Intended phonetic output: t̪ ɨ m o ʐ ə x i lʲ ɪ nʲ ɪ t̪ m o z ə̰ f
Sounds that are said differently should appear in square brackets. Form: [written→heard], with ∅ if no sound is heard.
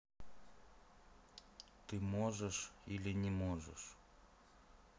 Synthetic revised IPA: t̪ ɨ m o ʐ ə [x→ʂ] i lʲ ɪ nʲ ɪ [t̪→∅] m o [z→ʐ] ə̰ [f→ʂ]